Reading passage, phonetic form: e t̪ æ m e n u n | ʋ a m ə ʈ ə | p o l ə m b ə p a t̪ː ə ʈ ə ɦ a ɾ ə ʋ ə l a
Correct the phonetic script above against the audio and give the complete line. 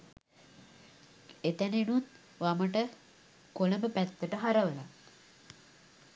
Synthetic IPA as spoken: e t̪ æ n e n u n | ʋ a m ə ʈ ə | k o l ə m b ə p æ t̪ː ə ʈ ə ɦ a ɾ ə ʋ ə l a